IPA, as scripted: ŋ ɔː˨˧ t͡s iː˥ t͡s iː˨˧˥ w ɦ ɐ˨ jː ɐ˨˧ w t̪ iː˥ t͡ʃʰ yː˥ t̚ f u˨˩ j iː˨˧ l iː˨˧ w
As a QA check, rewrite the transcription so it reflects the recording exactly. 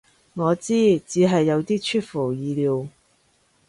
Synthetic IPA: ŋ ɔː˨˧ t͡s iː˥ t͡s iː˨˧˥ ɦ ɐ˨ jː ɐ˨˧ w t̪ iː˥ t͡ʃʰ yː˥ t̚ f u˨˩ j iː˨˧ l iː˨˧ w